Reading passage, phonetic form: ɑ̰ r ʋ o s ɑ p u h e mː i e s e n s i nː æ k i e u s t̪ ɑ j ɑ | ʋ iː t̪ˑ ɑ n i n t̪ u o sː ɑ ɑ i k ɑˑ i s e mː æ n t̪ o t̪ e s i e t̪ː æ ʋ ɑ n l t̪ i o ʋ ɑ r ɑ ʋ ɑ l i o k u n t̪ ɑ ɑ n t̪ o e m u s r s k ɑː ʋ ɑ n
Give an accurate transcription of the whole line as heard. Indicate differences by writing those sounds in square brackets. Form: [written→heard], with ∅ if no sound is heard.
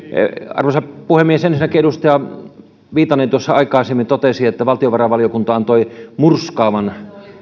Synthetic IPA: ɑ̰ r ʋ o s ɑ p u h e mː i e s e n s i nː æ k i e u s t̪ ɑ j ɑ | ʋ iː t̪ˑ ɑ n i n t̪ u o sː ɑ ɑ i k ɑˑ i s e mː [æ→i] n t̪ o t̪ e s i e t̪ː æ ʋ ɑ [n→∅] l t̪ i o ʋ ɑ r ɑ ʋ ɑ l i o k u n t̪ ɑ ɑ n t̪ o [e→i] m u [s→∅] r s k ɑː ʋ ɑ n